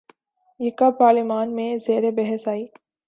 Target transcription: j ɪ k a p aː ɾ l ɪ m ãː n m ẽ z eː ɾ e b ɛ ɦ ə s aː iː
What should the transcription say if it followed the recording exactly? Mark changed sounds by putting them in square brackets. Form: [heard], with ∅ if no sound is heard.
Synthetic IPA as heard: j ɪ k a p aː ɾ l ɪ m [aː] n m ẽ z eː ɾ e b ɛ ɦ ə s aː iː